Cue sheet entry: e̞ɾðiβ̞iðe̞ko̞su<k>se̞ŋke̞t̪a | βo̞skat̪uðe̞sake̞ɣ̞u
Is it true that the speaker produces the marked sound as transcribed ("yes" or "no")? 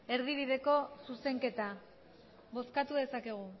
no